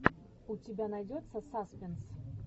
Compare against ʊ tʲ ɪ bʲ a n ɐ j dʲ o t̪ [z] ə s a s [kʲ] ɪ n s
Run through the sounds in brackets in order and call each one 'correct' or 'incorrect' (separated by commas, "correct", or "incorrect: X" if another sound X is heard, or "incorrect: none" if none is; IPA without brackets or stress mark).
incorrect: s, incorrect: pʲ